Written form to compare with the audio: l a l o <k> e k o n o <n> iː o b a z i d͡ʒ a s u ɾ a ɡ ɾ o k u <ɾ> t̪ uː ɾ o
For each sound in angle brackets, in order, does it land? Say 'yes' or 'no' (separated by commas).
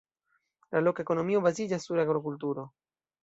yes, no, no